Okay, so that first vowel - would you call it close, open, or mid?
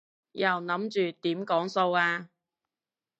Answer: open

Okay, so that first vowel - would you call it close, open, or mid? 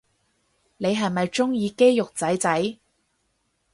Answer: mid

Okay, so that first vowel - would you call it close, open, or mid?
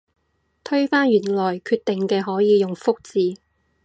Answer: mid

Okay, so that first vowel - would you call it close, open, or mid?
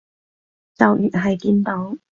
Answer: open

